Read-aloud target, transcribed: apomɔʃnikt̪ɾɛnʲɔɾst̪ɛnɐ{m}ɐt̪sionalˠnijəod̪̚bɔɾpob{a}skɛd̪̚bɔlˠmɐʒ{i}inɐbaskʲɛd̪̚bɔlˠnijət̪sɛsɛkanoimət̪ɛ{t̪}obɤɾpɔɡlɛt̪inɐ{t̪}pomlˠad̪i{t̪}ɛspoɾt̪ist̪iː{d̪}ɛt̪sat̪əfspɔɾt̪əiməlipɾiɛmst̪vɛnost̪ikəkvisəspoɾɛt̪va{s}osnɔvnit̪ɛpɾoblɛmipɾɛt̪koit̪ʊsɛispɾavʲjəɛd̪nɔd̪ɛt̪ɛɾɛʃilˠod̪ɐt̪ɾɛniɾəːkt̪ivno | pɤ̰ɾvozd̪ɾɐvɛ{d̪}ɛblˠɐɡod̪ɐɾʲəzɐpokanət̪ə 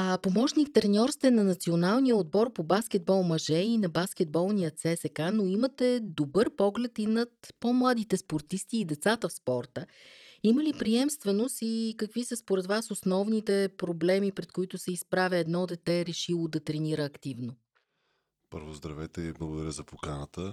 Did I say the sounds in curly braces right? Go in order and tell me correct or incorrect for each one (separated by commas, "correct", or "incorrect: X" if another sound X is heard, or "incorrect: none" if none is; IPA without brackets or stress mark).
incorrect: n, correct, incorrect: ɛ, incorrect: d̪, correct, correct, correct, correct, incorrect: t̪